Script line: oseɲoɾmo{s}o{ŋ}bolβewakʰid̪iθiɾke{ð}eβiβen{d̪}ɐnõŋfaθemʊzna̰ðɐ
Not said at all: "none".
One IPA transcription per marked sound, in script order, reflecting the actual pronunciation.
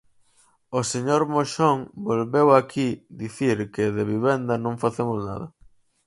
ʃ, ŋ, ð, d̪

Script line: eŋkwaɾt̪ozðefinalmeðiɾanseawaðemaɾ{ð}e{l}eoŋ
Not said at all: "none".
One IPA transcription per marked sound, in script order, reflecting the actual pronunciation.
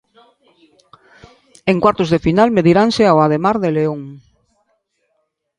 ð, l

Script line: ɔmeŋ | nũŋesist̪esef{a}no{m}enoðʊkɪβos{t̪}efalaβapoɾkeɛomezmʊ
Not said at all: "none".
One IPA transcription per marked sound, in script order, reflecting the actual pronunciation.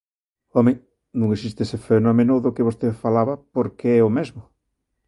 e, m, t̪

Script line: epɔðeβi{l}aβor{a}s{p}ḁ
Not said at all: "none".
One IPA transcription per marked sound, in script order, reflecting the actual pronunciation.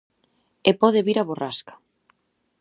ɾ, a, k

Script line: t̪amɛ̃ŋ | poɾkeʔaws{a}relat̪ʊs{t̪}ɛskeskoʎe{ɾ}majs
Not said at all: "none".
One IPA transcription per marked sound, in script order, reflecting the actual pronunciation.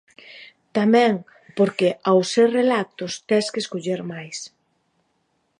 e, t̪, ɾ

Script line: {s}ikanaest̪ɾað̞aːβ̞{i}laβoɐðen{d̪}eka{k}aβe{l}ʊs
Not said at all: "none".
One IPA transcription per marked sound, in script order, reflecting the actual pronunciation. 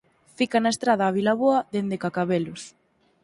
f, i, d̪, k, l

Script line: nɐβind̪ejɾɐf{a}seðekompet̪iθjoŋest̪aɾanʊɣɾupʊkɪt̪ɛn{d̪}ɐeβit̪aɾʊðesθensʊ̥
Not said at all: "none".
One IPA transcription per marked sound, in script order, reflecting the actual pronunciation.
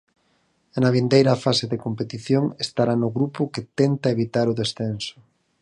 a, t̪

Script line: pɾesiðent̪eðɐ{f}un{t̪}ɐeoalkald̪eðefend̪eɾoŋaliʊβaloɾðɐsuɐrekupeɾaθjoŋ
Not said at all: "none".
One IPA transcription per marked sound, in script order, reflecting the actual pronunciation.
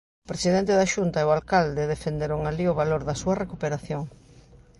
ʃ, t̪

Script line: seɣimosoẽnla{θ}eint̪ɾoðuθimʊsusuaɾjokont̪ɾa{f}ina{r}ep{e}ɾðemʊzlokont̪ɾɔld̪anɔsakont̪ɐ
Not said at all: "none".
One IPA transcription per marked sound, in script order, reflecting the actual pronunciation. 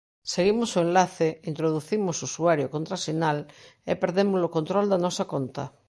θ, s, l, e

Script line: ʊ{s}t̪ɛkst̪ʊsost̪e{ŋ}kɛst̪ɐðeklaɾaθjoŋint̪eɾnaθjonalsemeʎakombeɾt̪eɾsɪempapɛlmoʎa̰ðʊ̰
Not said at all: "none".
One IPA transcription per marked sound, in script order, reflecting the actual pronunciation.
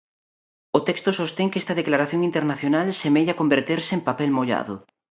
none, ŋ

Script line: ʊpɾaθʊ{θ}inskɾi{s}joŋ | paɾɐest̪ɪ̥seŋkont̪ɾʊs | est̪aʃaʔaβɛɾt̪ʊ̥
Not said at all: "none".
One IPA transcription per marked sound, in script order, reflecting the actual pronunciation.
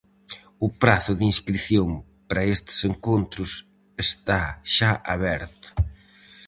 ð, θ

